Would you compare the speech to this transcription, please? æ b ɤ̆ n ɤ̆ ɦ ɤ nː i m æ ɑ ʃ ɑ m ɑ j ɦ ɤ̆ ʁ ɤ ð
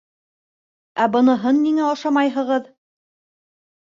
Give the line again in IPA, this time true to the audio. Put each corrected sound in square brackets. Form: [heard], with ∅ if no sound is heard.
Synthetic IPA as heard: æ b ɤ̆ n ɤ̆ ɦ ɤ nː i [ŋ] æ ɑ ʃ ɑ m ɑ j ɦ ɤ̆ ʁ ɤ ð